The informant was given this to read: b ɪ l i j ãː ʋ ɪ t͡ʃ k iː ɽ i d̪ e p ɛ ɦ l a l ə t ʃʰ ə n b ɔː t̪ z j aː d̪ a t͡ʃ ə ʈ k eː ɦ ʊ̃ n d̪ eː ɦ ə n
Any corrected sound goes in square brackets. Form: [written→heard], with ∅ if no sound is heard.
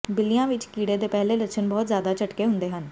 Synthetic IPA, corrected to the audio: b ɪ l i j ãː ʋ ɪ t͡ʃ k iː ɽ [i→e] d̪ e p ɛ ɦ l [a→e] l ə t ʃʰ ə n b ɔː t̪ z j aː d̪ a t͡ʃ ə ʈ k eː ɦ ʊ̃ n d̪ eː ɦ ə n